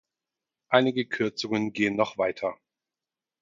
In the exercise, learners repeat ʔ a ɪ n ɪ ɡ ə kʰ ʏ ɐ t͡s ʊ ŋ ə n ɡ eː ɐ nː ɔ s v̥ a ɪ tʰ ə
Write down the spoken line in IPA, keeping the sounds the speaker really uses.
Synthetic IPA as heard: ʔ a ɪ n ɪ ɡ ə kʰ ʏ ɐ t͡s ʊ ŋ ə n ɡ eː ə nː ɔ χ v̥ a ɪ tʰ ɐ